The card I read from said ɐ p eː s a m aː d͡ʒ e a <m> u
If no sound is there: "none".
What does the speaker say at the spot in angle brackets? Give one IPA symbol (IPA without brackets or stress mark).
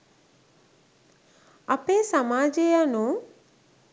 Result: n